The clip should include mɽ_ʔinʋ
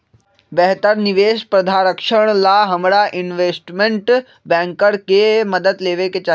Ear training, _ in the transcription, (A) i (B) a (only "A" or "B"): B